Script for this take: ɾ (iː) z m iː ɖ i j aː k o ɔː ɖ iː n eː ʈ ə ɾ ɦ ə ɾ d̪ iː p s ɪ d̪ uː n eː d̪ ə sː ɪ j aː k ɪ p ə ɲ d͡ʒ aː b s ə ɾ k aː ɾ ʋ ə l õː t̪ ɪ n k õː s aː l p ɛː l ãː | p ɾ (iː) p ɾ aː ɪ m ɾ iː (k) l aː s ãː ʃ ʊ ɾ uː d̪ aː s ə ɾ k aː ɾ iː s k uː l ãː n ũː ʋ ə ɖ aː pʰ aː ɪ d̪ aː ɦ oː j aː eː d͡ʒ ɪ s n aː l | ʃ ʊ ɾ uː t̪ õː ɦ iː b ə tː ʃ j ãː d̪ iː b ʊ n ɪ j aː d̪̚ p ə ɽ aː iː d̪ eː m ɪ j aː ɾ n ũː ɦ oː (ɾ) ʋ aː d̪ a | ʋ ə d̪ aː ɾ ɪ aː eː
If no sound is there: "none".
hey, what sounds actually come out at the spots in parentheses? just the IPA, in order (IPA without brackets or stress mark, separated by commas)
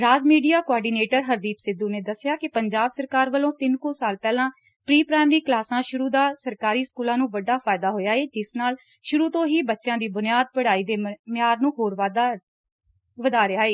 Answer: aː, iː, k, ɾ